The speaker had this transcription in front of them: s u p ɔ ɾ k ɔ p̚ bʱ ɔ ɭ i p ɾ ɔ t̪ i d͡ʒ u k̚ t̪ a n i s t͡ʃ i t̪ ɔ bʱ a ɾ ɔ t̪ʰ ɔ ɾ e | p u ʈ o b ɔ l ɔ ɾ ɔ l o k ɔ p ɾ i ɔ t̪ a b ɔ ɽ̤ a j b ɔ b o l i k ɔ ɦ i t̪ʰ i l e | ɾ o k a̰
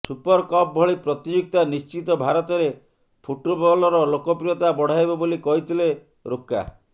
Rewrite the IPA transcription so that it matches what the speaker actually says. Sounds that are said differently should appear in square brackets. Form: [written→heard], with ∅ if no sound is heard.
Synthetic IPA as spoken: s u p ɔ ɾ k ɔ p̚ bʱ ɔ ɭ i p ɾ ɔ t̪ i d͡ʒ u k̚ t̪ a n i s t͡ʃ i t̪ ɔ bʱ a ɾ ɔ [t̪ʰ→t̪] ɔ ɾ e | [p→pʰ] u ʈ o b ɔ l ɔ ɾ ɔ l o k ɔ p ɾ i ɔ t̪ a b ɔ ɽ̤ a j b ɔ b o l i k ɔ ɦ i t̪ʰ i l e | ɾ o k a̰